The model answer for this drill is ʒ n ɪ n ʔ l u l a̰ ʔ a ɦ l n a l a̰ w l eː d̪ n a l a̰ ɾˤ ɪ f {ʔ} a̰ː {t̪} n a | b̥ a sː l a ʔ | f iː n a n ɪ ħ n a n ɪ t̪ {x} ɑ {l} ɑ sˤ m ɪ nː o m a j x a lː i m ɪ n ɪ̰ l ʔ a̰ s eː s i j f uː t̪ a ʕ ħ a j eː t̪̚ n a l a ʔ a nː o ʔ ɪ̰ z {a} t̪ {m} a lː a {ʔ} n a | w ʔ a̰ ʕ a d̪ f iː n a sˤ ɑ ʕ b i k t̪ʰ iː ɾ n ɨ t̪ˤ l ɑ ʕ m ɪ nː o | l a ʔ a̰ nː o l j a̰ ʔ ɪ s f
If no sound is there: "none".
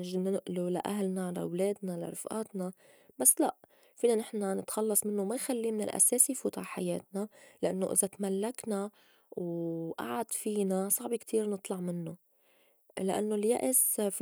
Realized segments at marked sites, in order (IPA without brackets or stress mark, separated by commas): ʔ, t̪, x, lː, a, m, k